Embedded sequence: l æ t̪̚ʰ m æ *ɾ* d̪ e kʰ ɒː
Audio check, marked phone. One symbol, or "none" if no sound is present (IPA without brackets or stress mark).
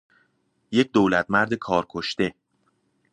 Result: ɾ